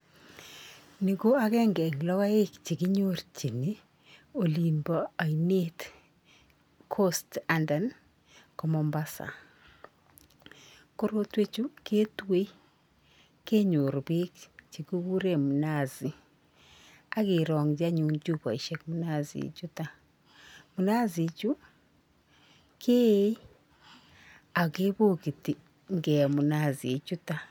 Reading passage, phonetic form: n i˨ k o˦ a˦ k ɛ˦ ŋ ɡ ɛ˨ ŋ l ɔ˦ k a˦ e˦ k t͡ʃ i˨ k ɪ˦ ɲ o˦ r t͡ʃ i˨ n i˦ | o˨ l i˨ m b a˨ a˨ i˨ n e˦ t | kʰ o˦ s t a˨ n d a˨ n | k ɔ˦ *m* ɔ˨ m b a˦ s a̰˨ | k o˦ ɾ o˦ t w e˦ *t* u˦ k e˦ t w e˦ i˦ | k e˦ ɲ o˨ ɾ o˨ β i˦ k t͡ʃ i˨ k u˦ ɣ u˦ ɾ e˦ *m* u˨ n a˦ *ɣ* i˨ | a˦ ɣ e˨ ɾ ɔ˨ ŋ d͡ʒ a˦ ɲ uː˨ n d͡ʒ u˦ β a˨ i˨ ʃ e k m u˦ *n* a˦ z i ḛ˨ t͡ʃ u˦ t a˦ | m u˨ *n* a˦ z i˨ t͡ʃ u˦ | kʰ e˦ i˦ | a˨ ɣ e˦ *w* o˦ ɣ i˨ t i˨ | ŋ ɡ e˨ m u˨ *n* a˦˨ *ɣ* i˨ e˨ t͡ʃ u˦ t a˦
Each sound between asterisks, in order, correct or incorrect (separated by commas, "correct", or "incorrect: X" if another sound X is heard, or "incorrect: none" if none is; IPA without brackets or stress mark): correct, incorrect: t͡ʃ, correct, incorrect: z, correct, correct, incorrect: β, correct, incorrect: z